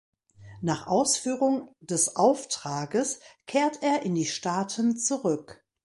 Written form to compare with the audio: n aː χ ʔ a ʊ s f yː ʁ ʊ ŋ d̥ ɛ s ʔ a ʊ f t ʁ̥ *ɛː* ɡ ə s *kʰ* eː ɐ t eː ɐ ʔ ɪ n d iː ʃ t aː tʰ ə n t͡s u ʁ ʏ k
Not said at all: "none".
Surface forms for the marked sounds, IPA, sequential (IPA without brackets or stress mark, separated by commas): aː, kʰ